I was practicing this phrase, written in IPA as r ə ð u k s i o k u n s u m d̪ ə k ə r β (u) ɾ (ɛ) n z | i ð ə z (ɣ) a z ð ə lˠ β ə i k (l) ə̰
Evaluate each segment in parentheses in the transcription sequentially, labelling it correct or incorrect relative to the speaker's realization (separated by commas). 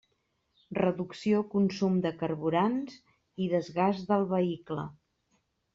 correct, incorrect, correct, correct